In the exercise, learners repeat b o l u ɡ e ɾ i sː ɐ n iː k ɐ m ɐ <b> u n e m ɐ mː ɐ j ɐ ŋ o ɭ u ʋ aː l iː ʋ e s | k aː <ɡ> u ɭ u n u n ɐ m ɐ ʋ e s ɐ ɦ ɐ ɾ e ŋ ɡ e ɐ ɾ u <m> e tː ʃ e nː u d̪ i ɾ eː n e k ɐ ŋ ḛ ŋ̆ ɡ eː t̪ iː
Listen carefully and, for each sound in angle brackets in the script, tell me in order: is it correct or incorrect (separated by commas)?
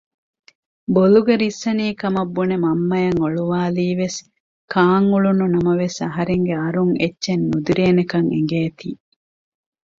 incorrect, incorrect, incorrect